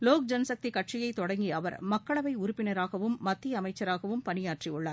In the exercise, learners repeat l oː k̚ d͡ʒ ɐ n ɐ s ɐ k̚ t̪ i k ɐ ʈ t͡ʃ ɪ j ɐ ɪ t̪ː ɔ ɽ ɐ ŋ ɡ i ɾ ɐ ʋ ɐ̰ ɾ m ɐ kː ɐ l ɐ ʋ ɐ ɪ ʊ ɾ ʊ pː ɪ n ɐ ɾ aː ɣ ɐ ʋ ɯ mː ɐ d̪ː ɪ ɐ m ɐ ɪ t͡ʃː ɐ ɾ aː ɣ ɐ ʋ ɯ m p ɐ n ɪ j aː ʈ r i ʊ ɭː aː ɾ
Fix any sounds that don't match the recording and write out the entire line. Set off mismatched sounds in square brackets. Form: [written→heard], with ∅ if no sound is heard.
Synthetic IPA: l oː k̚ d͡ʒ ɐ n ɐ s ɐ k̚ t̪ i k ɐ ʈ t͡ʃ ɪ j ɐ ɪ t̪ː ɔ ɽ ɐ ŋ ɡ i [ɾ→∅] ɐ ʋ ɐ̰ ɾ m ɐ kː ɐ [l→ɭ] ɐ ʋ ɐ ɪ ʊ ɾ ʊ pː ɪ n ɐ ɾ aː ɣ ɐ ʋ ɯ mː ɐ [d̪ː→t̪ː] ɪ ɐ m ɐ ɪ t͡ʃː ɐ ɾ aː ɣ ɐ ʋ ɯ m p ɐ n ɪ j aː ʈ r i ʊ ɭː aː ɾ